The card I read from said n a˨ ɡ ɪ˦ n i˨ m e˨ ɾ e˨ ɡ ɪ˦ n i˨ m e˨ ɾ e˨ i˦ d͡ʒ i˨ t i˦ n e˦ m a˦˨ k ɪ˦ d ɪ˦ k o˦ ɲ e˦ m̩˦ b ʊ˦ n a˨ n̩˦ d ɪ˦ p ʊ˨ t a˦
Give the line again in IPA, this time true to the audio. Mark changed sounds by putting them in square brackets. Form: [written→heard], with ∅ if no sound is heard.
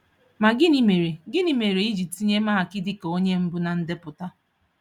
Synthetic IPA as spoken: [n→m] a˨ ɡ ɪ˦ n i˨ m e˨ ɾ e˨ ɡ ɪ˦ n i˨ m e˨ ɾ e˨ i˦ d͡ʒ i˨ t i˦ [n→ɲ] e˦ m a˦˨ k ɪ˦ d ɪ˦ k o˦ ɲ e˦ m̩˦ b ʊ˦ n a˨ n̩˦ d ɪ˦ p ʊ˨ t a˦